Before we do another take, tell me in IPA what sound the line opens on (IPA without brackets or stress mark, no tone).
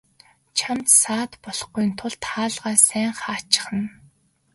t͡ɕʰ